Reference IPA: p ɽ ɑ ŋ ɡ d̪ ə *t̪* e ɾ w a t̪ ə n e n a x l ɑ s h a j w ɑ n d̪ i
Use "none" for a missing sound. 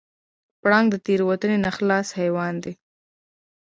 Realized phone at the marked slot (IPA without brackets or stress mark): t̪